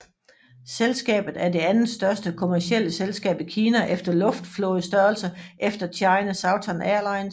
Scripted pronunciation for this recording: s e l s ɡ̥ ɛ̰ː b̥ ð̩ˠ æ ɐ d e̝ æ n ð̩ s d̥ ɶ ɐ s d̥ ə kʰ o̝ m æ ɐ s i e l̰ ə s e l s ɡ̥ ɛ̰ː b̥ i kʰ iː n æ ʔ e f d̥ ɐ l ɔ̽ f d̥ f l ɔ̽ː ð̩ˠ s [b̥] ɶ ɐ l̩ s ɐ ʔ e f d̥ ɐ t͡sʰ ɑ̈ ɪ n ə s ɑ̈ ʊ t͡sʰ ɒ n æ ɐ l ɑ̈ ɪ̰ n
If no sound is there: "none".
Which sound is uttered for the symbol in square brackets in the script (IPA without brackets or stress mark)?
d̥